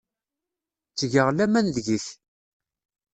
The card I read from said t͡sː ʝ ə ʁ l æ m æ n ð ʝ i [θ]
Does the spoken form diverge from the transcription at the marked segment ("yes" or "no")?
no